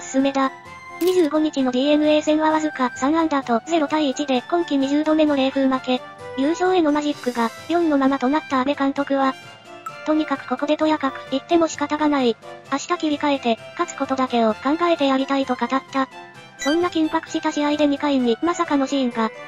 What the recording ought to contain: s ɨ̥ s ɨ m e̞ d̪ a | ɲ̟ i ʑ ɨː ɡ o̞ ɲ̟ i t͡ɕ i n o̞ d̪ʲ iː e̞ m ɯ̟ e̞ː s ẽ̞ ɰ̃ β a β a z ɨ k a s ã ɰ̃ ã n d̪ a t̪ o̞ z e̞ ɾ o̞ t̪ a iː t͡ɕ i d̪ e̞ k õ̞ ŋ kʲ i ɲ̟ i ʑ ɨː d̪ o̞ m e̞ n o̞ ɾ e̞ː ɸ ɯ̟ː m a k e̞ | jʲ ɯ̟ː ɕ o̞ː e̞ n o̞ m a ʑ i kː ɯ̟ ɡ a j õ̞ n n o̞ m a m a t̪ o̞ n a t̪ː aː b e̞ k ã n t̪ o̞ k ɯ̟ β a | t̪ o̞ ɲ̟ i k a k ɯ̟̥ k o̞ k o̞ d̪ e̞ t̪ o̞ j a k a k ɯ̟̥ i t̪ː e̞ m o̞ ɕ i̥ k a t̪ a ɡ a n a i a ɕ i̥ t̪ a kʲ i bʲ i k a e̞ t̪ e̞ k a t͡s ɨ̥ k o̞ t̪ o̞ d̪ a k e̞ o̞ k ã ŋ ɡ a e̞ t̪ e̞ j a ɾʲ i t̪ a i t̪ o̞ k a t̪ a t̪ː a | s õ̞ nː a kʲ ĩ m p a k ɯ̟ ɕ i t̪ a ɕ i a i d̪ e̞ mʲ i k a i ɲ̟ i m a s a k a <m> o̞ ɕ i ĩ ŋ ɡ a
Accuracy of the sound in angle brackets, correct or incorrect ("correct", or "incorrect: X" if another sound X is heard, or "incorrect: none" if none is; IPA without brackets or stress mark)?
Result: incorrect: n